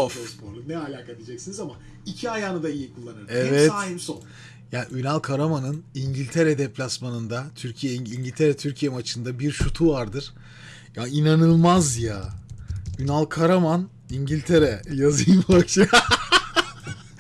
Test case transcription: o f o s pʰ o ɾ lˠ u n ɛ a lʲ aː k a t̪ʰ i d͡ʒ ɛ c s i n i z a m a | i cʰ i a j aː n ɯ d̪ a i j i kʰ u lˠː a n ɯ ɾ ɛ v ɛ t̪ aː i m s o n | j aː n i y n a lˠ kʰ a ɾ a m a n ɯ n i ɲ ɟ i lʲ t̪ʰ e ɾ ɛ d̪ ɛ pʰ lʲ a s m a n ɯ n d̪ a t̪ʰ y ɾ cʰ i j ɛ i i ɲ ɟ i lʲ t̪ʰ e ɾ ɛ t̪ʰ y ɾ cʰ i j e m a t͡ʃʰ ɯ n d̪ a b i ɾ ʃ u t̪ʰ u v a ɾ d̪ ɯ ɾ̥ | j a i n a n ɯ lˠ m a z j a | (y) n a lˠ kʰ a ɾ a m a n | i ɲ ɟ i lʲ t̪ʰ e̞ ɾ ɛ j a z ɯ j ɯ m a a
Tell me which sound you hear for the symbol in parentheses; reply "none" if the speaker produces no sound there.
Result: y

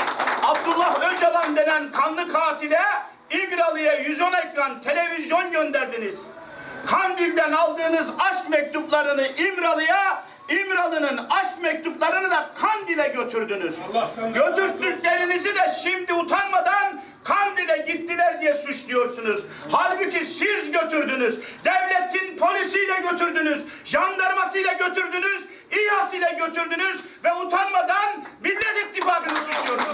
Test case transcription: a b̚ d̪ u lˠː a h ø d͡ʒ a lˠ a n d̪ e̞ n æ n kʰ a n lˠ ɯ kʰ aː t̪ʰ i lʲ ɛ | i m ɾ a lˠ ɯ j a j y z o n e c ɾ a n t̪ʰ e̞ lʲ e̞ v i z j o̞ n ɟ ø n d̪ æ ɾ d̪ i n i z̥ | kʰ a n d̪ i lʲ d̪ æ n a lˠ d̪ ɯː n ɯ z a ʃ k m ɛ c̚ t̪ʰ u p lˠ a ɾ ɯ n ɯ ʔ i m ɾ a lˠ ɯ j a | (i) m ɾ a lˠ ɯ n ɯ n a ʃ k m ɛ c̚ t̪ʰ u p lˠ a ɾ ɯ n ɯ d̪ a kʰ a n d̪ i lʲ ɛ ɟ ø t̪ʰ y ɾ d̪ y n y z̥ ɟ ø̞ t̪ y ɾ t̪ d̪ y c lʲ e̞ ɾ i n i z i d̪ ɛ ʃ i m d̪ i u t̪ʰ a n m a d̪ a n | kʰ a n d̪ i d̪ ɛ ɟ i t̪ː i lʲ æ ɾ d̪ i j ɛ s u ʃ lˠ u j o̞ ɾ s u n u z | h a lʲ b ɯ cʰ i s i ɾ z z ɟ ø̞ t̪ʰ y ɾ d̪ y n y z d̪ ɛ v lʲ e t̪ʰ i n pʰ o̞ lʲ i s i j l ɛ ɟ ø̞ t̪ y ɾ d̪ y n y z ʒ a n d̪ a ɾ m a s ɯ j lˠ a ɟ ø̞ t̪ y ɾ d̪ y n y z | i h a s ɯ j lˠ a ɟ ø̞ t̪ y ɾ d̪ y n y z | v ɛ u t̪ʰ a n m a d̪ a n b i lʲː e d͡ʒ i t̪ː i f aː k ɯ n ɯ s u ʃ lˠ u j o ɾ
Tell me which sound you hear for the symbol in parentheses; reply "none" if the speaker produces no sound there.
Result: i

